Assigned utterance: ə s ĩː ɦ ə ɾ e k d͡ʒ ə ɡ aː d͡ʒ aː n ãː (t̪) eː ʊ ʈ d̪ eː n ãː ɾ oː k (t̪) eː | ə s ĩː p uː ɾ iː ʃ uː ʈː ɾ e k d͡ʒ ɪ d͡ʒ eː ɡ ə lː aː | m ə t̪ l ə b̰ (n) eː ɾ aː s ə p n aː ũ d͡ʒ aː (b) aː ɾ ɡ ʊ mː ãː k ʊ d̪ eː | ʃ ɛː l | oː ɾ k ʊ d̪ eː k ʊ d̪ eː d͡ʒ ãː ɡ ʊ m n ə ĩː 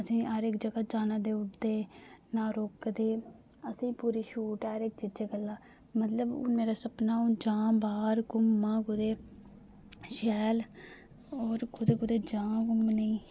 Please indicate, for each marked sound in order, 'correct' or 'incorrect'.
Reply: incorrect: d̪, incorrect: d̪, incorrect: m, correct

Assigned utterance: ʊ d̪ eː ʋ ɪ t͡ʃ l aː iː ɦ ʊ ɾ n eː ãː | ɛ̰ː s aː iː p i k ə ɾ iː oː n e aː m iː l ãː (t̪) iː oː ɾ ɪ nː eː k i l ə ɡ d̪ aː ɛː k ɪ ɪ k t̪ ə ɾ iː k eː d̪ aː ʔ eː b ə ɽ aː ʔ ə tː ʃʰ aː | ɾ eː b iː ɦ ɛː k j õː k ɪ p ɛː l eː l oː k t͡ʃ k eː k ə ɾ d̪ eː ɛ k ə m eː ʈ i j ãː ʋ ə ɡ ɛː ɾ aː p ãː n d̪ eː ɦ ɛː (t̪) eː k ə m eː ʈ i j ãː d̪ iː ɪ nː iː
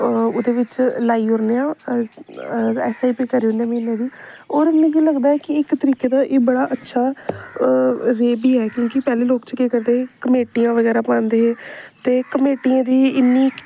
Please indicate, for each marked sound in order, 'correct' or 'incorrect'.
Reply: incorrect: d̪, correct

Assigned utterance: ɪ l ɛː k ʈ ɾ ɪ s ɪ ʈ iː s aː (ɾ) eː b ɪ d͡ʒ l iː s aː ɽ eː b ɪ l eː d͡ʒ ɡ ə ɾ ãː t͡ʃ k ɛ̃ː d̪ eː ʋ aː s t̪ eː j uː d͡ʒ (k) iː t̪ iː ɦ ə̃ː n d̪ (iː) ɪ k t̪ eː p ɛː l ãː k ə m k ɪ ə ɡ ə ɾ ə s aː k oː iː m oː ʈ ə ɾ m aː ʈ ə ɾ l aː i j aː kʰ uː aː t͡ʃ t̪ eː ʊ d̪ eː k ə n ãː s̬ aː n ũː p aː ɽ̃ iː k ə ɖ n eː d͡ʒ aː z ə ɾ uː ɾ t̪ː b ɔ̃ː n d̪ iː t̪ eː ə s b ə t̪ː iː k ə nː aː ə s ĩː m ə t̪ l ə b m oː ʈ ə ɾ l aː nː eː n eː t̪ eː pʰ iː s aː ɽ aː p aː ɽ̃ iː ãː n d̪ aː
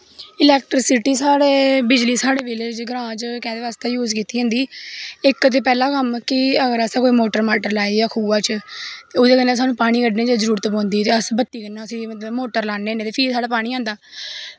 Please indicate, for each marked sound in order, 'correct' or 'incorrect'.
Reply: incorrect: ɽ, correct, correct

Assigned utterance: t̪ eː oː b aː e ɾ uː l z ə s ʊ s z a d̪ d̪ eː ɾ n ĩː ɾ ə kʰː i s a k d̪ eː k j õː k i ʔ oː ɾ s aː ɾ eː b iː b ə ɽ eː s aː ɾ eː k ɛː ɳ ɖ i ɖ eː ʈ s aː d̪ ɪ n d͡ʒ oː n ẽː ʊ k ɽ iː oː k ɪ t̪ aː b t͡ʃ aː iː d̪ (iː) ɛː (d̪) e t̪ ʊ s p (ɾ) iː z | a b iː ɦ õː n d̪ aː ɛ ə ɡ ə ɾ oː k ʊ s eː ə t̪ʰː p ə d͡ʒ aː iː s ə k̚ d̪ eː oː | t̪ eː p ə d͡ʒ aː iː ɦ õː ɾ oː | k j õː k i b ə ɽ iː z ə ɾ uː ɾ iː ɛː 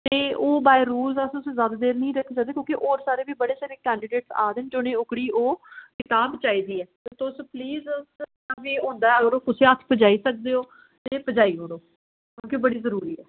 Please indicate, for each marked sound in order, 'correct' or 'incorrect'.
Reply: correct, incorrect: t̪, incorrect: l

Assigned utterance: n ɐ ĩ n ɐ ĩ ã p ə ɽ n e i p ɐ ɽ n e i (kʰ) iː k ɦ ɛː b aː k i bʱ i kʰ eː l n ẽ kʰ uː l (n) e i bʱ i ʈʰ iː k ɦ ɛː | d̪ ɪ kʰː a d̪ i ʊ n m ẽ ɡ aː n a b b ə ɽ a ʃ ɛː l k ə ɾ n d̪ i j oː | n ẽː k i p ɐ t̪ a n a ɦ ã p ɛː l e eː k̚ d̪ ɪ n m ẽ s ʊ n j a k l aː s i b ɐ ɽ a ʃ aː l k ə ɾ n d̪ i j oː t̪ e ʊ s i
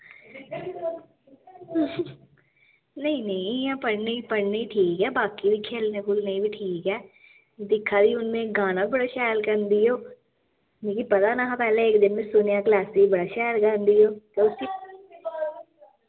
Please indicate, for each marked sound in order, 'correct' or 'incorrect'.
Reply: incorrect: ʈʰ, correct

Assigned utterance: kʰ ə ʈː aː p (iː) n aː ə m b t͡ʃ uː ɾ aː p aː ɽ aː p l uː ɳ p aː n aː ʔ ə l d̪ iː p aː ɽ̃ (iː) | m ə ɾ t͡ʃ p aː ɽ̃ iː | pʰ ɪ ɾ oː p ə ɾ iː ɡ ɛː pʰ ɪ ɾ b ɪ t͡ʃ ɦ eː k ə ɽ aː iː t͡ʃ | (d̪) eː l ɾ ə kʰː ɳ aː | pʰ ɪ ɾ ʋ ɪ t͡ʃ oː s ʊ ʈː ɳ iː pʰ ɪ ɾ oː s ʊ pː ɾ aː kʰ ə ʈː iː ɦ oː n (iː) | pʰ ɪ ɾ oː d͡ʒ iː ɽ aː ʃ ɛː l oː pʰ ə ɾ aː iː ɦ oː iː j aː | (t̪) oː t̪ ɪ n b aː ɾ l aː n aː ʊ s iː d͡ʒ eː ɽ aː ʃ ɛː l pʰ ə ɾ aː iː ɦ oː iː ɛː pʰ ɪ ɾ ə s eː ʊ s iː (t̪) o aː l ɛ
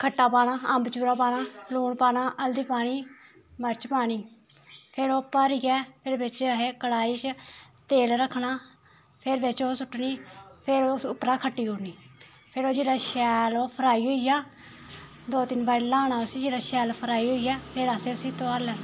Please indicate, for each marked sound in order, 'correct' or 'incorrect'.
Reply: incorrect: aː, correct, incorrect: t̪, correct, incorrect: d̪, correct

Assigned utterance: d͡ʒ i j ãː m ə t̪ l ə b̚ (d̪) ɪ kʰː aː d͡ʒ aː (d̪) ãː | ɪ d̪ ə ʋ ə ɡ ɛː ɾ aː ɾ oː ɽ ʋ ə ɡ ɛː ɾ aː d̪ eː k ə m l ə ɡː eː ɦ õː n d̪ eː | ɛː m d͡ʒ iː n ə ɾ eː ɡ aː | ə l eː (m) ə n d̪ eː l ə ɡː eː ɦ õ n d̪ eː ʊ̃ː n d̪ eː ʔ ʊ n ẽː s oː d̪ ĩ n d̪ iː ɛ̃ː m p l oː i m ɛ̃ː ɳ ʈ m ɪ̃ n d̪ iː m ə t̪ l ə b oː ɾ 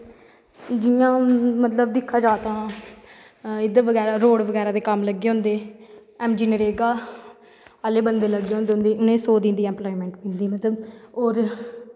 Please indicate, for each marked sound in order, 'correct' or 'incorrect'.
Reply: correct, incorrect: t̪, incorrect: b

